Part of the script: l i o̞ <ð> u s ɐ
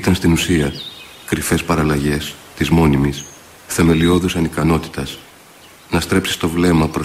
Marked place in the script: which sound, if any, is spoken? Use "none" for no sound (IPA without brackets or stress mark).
ð